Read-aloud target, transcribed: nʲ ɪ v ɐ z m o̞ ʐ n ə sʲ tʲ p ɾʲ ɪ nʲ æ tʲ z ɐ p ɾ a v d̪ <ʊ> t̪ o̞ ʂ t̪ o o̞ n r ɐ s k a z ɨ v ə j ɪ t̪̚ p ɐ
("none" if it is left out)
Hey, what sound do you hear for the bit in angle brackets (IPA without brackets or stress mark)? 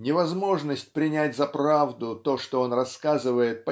ʊ